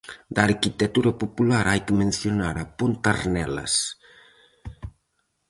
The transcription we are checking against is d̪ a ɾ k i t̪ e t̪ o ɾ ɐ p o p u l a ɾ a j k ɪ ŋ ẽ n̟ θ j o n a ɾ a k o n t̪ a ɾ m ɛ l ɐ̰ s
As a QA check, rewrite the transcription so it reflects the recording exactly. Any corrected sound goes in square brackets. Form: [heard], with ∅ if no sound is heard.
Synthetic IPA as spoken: d̪ a ɾ k i t̪ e t̪ [u] ɾ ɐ p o p u l a ɾ a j k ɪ [m] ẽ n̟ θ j o n a ɾ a [p] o n t̪ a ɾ [n] ɛ l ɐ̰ s